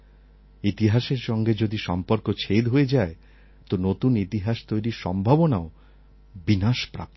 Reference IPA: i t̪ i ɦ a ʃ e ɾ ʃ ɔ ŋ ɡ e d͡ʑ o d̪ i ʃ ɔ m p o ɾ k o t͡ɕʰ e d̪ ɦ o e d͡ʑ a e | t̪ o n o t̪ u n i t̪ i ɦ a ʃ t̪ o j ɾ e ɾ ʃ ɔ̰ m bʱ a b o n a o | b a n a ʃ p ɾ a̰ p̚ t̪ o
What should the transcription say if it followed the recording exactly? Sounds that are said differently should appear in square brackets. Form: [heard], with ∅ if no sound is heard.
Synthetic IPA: i t̪ i ɦ a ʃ e ɾ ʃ ɔ ŋ ɡ e d͡ʑ o d̪ i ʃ ɔ m p o ɾ k o t͡ɕʰ e d̪ ɦ o e d͡ʑ a e | t̪ o n o t̪ u n i t̪ i ɦ a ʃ t̪ o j ɾ [i] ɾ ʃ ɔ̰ m bʱ a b o n a o | b [i] n a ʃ p ɾ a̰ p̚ t̪ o